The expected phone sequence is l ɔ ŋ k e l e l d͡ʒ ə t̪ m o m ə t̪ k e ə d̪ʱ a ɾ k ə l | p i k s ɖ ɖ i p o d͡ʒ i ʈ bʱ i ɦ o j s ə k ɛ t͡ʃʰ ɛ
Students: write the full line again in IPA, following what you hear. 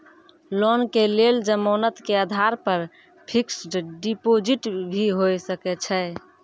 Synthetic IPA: l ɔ n k e l e l d͡ʒ ə m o n ə t̪ k e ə d̪ʱ a ɾ p ə ɾ | pʰ i k s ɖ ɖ i p o d͡ʒ i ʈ bʱ i ɦ o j s ə k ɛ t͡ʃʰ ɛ